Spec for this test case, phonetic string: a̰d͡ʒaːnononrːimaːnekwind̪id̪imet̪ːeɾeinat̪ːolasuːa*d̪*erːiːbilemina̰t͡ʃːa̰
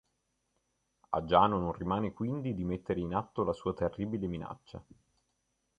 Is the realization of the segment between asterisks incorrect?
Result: yes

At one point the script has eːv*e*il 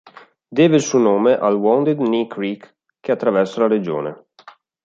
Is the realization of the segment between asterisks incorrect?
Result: no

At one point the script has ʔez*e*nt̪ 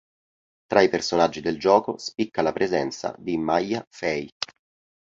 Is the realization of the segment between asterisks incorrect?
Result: yes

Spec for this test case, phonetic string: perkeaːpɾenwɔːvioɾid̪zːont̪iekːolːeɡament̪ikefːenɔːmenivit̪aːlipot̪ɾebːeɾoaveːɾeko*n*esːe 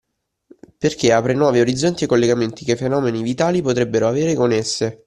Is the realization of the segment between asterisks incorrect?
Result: no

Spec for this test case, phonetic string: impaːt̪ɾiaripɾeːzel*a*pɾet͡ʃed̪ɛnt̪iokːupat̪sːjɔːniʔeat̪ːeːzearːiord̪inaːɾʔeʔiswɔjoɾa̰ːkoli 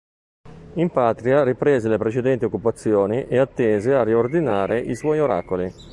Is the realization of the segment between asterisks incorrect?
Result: yes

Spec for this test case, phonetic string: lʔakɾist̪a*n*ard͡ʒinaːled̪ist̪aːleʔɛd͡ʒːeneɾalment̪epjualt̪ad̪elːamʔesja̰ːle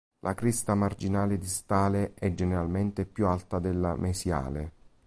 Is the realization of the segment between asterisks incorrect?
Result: yes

